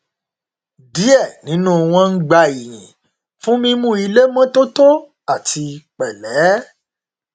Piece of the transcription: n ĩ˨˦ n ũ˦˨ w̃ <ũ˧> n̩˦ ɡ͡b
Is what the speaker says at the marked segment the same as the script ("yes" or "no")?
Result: no